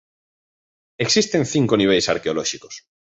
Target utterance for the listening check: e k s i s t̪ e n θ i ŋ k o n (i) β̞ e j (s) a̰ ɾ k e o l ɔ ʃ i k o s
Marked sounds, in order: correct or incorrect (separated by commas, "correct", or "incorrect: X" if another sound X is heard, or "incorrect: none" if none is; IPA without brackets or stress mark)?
correct, correct